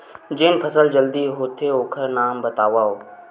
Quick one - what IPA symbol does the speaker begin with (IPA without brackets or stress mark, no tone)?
d͡ʒ